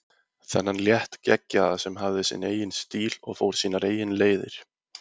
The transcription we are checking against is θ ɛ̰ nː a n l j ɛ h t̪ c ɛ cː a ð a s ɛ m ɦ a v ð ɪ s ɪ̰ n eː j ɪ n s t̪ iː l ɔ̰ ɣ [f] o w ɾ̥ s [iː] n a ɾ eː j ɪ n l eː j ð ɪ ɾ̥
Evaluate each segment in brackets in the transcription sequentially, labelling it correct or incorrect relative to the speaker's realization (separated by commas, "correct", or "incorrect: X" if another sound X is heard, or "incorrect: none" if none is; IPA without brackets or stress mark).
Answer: correct, correct